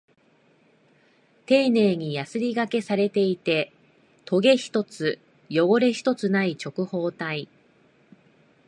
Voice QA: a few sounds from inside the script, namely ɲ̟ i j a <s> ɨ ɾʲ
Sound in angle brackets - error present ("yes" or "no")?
no